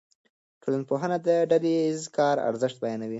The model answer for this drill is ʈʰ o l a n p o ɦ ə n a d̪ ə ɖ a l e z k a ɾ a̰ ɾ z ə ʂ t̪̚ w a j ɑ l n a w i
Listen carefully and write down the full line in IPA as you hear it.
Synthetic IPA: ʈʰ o l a n p o ɦ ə n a d̪ ə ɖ a l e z k ɑ ɾ a̰ ɾ z ə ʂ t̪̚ b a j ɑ n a w i